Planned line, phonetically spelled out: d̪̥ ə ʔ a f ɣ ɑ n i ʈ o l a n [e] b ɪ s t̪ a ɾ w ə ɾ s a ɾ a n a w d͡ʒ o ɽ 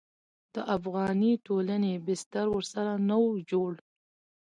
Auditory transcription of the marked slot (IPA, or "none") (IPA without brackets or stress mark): e